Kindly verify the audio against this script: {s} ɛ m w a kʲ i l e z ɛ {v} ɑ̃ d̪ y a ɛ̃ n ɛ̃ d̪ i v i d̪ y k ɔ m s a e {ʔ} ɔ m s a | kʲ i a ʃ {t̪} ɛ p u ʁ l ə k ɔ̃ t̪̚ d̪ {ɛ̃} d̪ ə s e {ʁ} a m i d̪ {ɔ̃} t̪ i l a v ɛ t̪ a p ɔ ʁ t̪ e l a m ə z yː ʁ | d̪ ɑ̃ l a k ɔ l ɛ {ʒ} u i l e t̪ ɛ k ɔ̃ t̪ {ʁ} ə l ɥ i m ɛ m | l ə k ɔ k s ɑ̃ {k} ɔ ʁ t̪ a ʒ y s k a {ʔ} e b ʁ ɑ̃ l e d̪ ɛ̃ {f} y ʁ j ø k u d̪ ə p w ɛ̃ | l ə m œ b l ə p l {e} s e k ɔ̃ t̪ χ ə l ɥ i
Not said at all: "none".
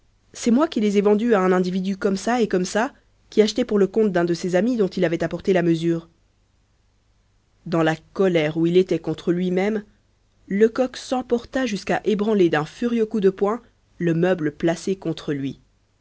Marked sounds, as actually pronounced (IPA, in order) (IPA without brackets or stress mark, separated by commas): s, v, k, t̪, ɛ̃, z, ɔ̃, ʁ, χ, p, ʔ, f, a